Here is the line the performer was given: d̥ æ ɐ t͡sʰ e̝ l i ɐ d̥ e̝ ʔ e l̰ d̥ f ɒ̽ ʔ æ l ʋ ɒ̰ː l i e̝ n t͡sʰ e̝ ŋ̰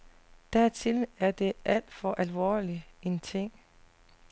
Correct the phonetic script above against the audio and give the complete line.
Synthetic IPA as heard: d̥ æ ɐ t͡sʰ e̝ l æ ɐ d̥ e̝ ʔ æ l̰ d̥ f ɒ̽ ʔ æ l ʋ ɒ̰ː l i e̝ n t͡sʰ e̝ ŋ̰